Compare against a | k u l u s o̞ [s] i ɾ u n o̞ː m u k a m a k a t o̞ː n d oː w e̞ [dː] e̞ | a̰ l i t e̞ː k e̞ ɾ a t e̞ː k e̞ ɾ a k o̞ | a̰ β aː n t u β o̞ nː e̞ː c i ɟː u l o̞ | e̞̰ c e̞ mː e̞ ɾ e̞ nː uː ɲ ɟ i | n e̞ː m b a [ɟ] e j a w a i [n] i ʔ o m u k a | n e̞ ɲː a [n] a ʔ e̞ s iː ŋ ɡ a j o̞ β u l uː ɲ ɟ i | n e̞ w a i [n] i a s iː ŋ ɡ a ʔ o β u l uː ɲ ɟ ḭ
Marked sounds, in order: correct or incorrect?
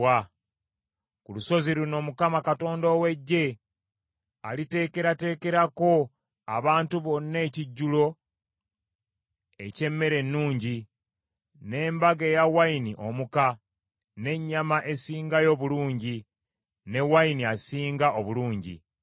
incorrect: z, incorrect: ɟː, incorrect: ɡ, correct, incorrect: m, correct

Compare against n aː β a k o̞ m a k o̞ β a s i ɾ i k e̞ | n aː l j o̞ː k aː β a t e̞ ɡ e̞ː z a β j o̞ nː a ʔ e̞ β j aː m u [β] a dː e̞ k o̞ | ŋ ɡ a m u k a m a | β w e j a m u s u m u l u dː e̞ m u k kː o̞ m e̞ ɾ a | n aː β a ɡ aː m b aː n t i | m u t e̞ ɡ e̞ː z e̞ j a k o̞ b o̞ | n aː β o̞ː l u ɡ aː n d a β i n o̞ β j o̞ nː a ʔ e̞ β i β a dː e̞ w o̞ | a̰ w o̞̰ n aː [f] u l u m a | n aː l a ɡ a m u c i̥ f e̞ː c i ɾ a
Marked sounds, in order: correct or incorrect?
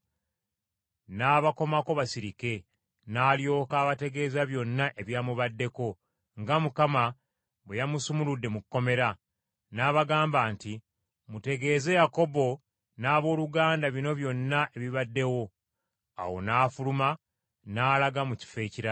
correct, correct

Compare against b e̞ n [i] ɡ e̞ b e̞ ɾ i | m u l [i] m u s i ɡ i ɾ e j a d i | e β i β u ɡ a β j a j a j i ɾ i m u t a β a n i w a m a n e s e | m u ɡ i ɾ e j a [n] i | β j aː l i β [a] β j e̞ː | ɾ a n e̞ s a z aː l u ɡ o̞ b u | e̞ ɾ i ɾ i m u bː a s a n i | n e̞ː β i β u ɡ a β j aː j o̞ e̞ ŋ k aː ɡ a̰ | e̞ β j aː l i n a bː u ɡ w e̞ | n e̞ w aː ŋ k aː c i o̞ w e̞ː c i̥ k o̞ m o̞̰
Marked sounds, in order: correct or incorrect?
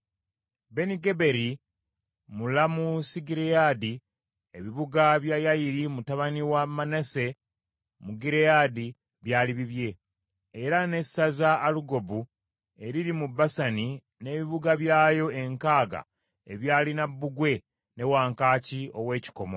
correct, incorrect: a, incorrect: d, incorrect: i

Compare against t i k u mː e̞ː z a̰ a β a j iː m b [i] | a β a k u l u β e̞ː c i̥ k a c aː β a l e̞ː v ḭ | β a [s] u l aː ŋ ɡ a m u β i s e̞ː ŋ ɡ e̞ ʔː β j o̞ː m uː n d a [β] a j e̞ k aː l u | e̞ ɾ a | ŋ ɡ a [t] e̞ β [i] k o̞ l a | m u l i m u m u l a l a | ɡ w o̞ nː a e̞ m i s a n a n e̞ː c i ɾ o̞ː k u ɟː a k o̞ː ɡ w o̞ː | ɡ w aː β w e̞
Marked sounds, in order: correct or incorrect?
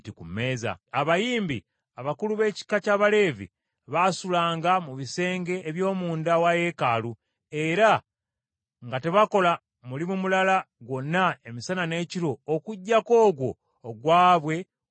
correct, correct, incorrect: w, correct, incorrect: a

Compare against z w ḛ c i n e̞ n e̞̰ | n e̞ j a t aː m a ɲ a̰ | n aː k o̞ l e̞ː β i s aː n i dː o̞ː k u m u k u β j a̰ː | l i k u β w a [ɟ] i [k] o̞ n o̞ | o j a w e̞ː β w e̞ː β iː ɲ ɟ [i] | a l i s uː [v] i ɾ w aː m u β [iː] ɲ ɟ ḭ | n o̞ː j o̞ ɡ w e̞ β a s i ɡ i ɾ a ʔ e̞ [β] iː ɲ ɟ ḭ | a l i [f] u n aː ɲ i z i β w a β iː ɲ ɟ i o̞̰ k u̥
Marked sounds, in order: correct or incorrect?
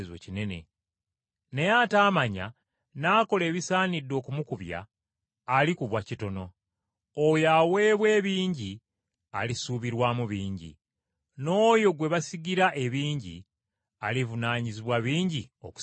incorrect: c, incorrect: t, correct, incorrect: β, correct, correct, incorrect: v

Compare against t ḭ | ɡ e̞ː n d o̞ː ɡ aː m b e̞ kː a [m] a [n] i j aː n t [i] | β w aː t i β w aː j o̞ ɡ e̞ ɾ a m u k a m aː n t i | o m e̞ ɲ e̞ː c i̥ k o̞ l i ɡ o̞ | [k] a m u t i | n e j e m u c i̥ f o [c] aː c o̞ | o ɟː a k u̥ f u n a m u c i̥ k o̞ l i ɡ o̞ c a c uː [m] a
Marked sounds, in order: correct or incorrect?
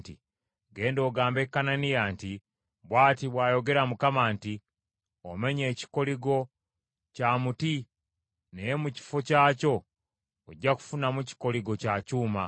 incorrect: n, correct, correct, incorrect: c, correct, correct

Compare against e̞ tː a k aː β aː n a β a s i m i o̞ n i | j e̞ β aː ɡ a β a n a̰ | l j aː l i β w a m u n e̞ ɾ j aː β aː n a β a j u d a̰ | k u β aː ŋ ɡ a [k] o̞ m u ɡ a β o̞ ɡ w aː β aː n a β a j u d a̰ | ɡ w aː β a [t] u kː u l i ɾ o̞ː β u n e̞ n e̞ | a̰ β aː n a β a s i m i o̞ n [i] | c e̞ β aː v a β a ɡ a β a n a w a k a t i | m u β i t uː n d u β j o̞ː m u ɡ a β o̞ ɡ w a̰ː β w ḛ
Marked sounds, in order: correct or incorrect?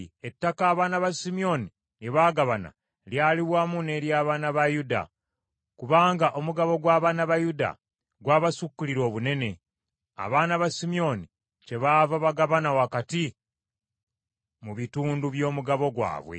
incorrect: ʔ, incorrect: s, correct

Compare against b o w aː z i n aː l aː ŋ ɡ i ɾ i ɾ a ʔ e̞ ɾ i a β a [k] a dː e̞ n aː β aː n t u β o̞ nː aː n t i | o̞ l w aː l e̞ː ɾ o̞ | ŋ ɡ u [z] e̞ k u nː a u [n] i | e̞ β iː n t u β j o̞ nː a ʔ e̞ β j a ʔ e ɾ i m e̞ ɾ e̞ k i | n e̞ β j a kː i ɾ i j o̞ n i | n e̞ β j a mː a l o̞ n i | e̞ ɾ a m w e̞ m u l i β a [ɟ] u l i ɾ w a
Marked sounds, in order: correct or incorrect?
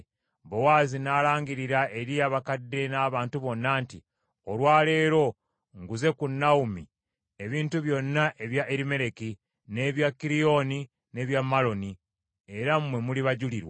correct, correct, incorrect: m, correct

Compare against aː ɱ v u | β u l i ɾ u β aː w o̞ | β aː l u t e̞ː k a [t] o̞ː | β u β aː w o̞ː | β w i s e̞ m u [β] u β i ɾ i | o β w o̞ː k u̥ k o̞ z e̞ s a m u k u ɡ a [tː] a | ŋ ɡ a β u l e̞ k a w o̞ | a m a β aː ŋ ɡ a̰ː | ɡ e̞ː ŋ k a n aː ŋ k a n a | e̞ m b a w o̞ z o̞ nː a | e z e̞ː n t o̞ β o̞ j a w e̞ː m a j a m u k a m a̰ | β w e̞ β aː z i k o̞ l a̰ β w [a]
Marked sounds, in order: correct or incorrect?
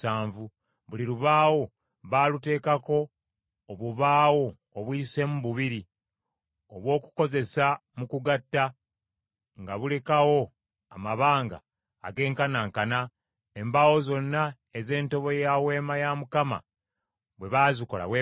incorrect: k, correct, correct, incorrect: e

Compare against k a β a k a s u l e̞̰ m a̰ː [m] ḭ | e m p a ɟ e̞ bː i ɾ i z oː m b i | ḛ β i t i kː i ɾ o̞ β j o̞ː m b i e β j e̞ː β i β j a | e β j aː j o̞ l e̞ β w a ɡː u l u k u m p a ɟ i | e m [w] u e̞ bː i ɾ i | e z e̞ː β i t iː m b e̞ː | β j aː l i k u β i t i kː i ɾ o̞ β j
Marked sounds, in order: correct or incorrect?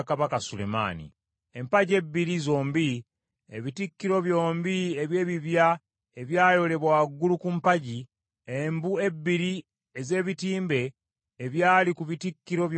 incorrect: n, incorrect: b

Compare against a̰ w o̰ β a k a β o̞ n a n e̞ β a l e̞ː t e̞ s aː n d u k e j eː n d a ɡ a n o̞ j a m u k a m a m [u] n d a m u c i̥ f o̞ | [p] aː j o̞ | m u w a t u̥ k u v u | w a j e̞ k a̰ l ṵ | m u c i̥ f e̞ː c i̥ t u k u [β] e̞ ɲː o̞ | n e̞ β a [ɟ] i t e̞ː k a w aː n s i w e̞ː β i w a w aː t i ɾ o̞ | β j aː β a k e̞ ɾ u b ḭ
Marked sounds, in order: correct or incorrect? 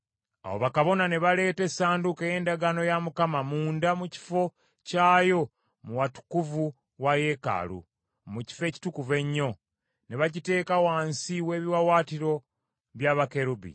incorrect: uː, incorrect: c, incorrect: v, correct

